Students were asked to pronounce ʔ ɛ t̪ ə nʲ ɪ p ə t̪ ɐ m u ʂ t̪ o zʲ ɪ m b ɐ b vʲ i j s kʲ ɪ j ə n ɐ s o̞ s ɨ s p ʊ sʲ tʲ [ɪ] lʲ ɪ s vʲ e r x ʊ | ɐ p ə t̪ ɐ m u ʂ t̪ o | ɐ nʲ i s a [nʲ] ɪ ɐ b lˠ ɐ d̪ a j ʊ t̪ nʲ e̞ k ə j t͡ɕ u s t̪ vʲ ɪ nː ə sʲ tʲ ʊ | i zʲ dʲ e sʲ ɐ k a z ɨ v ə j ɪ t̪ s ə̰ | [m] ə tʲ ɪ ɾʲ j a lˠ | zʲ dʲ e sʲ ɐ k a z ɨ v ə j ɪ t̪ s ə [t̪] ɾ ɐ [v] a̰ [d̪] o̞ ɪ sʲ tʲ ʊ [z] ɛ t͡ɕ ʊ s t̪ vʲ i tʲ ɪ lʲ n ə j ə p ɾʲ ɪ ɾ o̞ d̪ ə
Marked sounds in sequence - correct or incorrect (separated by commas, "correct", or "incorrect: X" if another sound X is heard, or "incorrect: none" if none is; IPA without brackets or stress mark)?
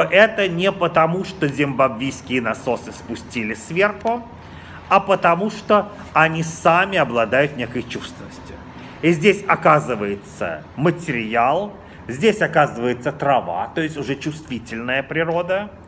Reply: incorrect: i, incorrect: mʲ, correct, correct, correct, incorrect: t̪, incorrect: ʐ